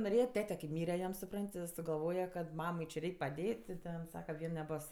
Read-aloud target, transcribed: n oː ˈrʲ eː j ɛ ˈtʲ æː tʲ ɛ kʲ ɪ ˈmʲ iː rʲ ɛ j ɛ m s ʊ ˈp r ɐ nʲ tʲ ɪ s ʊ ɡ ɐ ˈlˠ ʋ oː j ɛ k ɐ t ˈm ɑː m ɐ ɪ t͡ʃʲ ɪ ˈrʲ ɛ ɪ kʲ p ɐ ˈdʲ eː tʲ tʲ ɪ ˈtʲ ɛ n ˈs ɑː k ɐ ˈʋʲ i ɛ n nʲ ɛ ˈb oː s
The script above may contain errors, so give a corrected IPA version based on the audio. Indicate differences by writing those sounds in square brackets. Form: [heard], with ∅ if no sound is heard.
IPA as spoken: n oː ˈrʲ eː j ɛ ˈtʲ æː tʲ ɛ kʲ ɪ ˈmʲ iː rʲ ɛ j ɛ m s ʊ ˈp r ɐ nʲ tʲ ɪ s ʊ ɡ ɐ ˈlˠ ʋ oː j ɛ k ɐ t ˈm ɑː m ɐ ɪ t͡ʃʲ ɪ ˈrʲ ɛ ɪ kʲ p ɐ ˈdʲ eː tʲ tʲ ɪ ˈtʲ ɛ n ˈs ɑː k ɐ ˈʋʲ i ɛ n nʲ ɛ ˈb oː s